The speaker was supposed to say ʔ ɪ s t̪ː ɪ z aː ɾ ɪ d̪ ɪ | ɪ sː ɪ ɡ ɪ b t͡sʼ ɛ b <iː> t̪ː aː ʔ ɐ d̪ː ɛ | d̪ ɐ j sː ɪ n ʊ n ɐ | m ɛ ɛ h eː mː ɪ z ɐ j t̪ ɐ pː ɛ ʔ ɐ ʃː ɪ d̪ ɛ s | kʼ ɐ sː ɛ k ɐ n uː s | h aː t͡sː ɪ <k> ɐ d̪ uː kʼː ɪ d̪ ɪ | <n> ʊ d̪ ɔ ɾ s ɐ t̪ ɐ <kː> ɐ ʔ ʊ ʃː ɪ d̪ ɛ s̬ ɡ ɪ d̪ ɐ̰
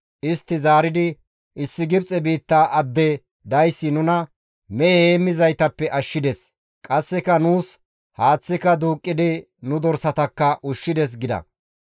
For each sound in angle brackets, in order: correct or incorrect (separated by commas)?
correct, correct, correct, correct